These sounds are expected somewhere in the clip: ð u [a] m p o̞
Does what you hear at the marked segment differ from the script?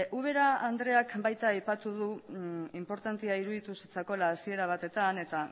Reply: yes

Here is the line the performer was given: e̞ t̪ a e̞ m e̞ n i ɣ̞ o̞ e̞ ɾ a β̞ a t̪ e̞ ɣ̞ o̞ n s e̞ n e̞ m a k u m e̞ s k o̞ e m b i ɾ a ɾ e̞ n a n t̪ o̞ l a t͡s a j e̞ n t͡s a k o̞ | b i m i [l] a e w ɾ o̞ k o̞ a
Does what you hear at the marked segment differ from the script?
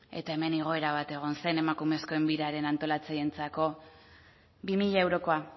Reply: yes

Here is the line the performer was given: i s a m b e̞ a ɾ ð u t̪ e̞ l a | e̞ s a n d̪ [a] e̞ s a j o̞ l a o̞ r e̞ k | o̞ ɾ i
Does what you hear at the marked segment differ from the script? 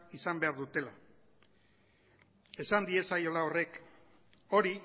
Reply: yes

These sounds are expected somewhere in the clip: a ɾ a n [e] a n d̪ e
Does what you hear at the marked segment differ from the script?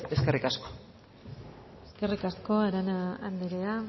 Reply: yes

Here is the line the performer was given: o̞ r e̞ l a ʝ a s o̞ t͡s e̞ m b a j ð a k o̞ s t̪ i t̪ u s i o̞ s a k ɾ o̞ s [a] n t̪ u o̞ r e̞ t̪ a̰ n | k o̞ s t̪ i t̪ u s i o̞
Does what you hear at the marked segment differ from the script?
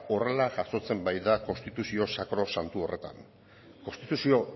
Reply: no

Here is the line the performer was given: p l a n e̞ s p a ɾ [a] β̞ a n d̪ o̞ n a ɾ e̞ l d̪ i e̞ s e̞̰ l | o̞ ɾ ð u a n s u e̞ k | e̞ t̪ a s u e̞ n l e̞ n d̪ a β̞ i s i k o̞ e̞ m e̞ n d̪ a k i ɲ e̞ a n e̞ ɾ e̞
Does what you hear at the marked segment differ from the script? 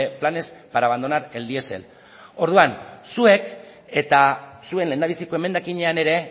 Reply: no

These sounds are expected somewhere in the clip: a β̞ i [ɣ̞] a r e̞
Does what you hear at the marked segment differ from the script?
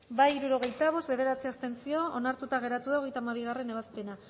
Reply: no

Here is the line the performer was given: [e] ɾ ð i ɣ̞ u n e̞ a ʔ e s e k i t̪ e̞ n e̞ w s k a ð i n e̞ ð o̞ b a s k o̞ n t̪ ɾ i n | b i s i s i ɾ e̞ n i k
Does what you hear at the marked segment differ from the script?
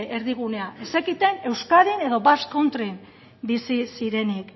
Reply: no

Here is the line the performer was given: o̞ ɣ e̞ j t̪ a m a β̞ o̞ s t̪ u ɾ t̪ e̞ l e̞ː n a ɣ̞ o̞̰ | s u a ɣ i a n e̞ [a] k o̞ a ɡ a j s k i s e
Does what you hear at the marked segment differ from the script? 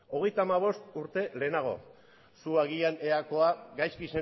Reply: no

